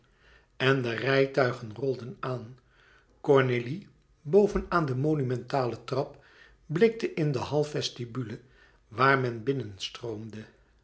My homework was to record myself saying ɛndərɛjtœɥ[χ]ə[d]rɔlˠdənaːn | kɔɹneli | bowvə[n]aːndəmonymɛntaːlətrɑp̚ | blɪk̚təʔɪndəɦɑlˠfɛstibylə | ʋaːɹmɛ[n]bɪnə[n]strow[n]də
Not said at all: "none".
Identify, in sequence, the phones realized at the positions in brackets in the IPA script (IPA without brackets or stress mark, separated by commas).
χ, n, n, n, n, m